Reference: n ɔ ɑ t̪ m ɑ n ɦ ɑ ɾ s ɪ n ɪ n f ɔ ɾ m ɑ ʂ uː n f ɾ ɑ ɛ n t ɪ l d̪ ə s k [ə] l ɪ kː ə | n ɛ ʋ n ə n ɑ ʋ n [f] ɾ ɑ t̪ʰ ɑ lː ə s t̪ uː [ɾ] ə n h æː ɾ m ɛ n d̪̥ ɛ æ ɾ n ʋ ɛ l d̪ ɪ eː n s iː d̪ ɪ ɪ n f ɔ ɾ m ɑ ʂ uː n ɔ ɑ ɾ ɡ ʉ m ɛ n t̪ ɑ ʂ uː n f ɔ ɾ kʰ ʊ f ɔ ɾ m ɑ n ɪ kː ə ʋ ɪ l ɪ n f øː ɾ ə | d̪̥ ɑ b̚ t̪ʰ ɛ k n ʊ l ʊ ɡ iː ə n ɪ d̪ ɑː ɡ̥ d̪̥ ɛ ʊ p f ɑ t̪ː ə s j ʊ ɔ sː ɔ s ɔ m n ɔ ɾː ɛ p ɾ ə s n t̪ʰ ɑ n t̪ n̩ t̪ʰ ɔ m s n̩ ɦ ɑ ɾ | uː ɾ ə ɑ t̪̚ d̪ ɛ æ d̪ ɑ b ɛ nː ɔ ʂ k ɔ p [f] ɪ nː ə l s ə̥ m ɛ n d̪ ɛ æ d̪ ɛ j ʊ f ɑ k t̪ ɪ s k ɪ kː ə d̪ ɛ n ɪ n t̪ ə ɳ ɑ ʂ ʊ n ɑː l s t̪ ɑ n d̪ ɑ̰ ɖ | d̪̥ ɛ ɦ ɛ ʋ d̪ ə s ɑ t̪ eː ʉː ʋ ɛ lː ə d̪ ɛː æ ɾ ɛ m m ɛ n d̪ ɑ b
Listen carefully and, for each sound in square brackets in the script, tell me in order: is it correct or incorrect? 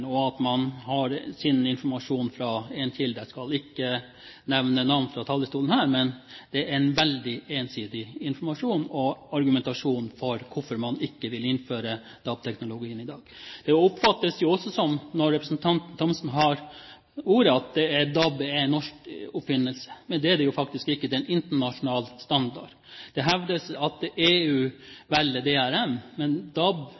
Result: incorrect, correct, incorrect, correct

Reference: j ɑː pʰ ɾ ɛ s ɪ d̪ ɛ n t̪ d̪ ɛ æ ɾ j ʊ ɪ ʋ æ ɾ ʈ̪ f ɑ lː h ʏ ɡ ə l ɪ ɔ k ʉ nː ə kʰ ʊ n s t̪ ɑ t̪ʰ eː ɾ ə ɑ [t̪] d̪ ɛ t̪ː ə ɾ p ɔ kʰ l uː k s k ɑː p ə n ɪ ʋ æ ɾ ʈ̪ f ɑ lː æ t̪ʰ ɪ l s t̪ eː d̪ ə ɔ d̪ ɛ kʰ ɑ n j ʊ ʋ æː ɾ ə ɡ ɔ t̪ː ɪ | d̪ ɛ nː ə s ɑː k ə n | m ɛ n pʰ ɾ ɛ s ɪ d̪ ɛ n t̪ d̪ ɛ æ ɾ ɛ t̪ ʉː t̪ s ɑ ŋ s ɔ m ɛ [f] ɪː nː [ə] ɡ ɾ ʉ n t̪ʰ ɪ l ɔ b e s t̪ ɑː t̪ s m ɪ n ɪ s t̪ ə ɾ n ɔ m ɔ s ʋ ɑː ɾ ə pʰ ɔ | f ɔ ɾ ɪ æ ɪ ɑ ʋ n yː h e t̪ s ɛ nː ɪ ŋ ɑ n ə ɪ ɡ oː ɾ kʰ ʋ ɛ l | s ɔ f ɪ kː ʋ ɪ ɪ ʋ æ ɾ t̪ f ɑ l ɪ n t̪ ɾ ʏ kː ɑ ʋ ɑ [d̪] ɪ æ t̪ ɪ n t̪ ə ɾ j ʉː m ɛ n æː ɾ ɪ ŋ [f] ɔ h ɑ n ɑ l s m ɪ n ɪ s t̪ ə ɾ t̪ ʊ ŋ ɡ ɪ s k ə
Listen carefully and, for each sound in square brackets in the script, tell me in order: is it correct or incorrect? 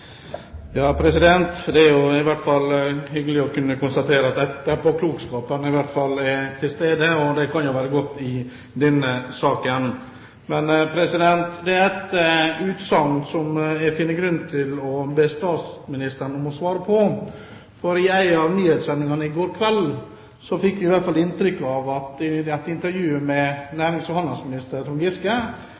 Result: correct, correct, correct, incorrect, incorrect

